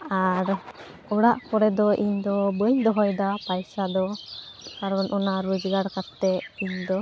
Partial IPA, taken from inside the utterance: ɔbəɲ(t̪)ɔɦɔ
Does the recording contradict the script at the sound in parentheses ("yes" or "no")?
yes